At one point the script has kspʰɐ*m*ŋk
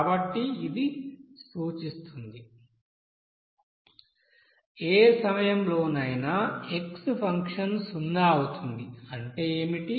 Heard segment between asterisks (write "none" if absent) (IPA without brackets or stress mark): none